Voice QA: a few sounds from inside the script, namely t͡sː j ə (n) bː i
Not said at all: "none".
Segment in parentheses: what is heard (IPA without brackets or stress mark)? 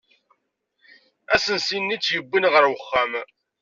none